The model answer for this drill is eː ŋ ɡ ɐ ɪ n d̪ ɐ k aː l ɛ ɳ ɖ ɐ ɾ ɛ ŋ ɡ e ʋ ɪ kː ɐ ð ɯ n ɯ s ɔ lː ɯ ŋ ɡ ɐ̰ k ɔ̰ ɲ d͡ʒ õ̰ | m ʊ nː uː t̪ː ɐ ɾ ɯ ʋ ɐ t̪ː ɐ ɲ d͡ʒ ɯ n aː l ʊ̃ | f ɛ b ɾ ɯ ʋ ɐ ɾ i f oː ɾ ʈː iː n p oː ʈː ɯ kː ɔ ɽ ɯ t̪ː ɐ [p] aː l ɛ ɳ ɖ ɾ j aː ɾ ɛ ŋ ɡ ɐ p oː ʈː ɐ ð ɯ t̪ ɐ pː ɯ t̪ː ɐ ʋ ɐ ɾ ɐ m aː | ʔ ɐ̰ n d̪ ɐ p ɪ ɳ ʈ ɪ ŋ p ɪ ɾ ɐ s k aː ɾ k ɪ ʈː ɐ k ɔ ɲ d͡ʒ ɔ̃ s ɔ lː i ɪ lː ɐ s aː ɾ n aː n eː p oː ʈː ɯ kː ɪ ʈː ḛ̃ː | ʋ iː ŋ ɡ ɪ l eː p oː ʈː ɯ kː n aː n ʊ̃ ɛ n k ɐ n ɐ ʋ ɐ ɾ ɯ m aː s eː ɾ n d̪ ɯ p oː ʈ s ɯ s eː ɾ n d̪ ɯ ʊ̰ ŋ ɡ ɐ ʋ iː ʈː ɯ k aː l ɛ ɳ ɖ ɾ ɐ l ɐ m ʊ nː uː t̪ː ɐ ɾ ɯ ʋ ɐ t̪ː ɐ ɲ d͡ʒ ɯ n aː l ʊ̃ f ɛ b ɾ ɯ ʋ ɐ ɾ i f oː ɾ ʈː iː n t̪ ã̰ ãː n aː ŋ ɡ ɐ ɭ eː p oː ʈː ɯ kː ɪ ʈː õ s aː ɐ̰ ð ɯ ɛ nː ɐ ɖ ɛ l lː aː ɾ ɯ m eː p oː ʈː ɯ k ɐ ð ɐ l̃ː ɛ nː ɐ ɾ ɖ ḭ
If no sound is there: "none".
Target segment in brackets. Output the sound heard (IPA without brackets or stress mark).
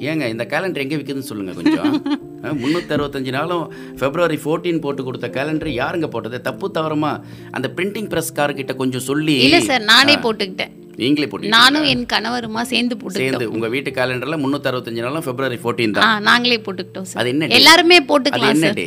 k